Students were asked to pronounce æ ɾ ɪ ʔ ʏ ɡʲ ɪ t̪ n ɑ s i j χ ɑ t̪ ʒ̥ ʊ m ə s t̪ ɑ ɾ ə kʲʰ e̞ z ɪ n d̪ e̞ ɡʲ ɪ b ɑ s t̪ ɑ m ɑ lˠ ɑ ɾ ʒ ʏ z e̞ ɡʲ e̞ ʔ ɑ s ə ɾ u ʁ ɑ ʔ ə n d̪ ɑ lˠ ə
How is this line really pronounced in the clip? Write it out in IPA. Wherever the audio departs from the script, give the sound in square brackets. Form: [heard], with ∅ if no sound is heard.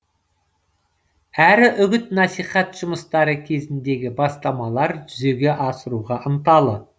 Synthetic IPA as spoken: æ ɾ ɪ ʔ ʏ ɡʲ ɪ t̪ n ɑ s i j χ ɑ t̪ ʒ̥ ʊ m ə s t̪ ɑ ɾ ə kʲʰ e̞ z ɪ n d̪ e̞ ɡʲ ɪ b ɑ s t̪ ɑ m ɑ lˠ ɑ ɾ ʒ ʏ z e̞ ɡʲ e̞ ʔ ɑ s ə ɾ u ʁ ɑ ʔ ə n [t̪] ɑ lˠ ə